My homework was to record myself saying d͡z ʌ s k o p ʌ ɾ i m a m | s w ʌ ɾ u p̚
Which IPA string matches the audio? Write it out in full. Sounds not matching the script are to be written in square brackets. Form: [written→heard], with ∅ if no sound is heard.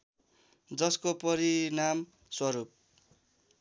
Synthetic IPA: d͡z ʌ s k o p ʌ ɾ i [m→n] a m | s w ʌ ɾ u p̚

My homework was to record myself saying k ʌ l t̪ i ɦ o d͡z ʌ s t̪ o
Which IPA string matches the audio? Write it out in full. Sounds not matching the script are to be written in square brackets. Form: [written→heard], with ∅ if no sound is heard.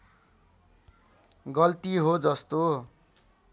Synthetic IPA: [k→ɡ] ʌ l t̪ i ɦ o d͡z ʌ s t̪ o

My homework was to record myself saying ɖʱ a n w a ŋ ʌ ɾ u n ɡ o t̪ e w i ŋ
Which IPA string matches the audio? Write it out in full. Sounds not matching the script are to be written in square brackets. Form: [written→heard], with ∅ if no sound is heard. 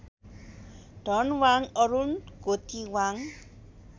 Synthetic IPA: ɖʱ [a→ʌ] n w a ŋ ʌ ɾ u n ɡ o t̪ [e→i] w [i→a] ŋ

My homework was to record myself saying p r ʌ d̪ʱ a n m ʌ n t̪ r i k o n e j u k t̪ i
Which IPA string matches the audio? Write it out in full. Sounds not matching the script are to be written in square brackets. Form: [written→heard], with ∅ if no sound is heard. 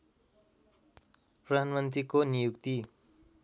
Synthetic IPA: p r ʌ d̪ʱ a n m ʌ n t̪ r i k o n [e→i] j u k t̪ i

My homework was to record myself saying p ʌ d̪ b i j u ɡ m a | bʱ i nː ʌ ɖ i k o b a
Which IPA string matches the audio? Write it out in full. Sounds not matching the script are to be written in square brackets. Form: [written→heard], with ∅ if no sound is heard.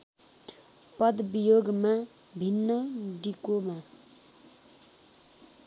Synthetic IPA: p ʌ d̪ b i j [u→o] ɡ m a | bʱ i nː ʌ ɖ i k o [b→m] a

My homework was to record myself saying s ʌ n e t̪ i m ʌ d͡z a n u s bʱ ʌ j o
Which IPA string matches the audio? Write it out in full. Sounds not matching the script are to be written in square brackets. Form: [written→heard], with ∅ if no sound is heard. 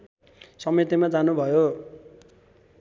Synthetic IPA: s ʌ [n→m] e t̪ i m [ʌ→a] d͡z a n u [s→∅] bʱ ʌ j o

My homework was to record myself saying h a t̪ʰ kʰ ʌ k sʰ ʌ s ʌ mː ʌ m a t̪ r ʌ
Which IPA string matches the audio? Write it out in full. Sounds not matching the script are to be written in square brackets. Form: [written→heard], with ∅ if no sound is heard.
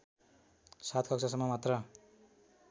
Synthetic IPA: [h→s] a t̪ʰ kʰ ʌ k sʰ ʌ s ʌ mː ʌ m a t̪ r ʌ

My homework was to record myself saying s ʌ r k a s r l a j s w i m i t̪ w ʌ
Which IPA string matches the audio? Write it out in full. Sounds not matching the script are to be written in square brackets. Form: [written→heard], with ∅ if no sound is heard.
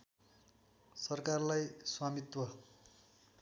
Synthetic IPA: s ʌ r k a [s→∅] r l a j s w [i→a] m i t̪ w ʌ

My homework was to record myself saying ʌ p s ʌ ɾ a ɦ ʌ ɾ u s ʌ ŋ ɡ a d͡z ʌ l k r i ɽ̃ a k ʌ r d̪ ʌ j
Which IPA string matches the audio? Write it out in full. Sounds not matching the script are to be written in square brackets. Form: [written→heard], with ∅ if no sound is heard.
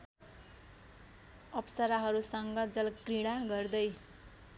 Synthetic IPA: ʌ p s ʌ ɾ a ɦ ʌ ɾ u s ʌ ŋ ɡ [a→ʌ] d͡z ʌ l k r i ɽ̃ a [k→ɡ] ʌ r d̪ ʌ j

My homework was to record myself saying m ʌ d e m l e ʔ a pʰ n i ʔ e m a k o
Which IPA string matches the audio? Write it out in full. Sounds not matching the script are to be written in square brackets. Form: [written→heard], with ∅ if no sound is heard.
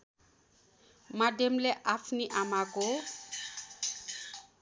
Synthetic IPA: m [ʌ→a] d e m l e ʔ a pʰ n i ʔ [e→a] m a k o

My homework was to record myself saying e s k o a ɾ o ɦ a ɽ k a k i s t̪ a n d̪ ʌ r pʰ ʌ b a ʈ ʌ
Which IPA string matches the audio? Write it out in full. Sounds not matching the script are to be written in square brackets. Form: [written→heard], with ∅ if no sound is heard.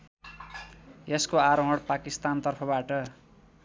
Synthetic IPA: e s k o a ɾ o ɦ [a→ʌ] ɽ [k→p] a k i s t̪ a n [d̪→t̪] ʌ r pʰ ʌ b a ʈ ʌ

